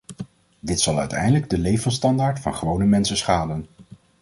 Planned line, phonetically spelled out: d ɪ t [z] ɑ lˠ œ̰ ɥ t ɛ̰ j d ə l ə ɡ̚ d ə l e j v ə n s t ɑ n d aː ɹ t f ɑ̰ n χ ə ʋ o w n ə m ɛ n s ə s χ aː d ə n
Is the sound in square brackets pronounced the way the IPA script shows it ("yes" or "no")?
no